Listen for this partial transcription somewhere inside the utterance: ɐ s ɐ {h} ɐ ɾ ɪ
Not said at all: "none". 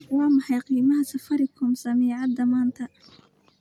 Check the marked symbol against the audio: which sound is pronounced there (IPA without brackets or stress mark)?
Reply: f